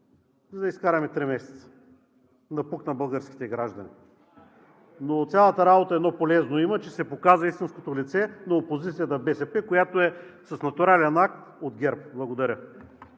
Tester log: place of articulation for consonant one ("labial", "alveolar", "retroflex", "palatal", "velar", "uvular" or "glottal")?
alveolar